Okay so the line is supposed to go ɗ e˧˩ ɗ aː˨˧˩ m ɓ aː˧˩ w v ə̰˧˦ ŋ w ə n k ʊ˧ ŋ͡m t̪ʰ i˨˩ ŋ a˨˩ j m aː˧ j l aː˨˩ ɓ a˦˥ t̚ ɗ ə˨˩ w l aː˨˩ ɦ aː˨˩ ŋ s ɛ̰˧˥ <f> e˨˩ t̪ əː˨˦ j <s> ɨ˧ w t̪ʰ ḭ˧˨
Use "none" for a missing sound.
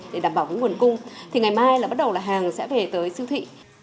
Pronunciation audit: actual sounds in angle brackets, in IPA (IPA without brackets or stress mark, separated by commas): v, s